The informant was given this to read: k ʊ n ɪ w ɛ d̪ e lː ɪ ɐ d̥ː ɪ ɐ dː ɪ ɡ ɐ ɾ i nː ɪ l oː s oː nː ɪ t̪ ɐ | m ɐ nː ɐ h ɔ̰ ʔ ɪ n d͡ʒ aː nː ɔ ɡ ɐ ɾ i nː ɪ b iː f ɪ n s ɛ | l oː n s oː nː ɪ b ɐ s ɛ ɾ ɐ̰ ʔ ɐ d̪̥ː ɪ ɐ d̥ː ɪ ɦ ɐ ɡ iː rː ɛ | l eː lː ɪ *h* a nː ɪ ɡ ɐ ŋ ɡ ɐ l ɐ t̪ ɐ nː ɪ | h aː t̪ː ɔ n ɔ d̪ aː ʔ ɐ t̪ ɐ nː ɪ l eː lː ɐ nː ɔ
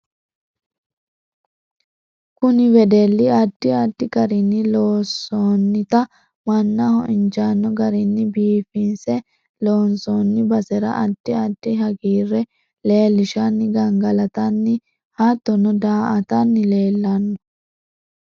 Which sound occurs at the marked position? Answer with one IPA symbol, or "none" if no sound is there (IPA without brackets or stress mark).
ʃ